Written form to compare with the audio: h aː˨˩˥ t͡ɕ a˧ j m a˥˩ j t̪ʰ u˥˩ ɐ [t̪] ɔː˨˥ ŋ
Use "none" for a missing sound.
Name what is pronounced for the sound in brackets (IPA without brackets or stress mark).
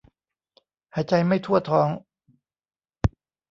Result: t̪ʰ